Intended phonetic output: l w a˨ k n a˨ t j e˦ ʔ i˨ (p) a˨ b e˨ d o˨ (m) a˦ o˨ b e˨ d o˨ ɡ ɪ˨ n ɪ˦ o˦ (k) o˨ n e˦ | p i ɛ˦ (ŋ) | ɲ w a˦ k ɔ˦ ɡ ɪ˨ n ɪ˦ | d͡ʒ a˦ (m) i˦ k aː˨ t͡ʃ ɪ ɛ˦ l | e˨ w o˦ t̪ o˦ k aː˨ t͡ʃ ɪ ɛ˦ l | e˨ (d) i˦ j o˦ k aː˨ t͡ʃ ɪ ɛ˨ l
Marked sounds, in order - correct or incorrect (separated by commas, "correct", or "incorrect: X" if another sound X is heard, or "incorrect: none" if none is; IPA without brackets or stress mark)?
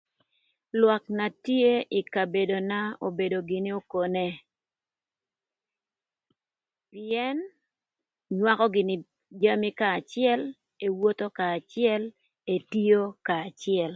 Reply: incorrect: k, incorrect: n, correct, incorrect: n, correct, incorrect: t